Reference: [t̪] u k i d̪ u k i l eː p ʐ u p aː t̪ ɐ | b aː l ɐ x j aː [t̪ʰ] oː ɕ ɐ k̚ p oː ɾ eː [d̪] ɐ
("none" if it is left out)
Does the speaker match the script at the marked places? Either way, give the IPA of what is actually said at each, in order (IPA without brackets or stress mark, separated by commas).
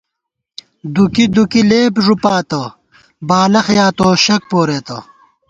d̪, t̪, t̪